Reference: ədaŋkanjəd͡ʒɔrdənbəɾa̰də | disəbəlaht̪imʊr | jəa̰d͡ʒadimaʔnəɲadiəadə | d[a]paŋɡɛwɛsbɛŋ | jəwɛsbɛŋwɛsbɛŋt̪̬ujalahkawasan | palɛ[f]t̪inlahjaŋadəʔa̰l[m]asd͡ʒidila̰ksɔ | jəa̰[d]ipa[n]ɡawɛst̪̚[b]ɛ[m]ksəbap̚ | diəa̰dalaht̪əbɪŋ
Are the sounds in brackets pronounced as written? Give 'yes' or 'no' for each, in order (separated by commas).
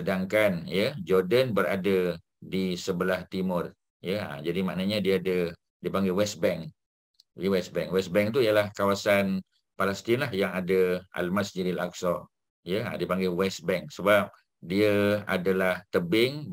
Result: no, no, yes, yes, no, yes, no